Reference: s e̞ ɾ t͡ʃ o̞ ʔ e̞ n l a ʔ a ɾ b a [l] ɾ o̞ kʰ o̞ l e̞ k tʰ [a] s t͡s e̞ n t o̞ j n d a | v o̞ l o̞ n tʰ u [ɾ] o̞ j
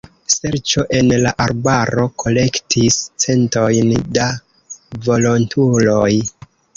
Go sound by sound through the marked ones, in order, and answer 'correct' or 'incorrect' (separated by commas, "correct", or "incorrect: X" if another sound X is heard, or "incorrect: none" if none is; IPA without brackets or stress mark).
incorrect: none, incorrect: i, incorrect: l